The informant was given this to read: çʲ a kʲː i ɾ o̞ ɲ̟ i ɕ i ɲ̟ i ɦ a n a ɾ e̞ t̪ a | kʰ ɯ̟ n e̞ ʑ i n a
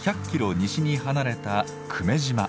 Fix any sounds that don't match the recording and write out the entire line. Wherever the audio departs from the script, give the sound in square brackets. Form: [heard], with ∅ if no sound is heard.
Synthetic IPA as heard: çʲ a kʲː i ɾ o̞ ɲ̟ i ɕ i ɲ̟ i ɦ a n a ɾ e̞ t̪ a | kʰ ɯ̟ [m] e̞ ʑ i [m] a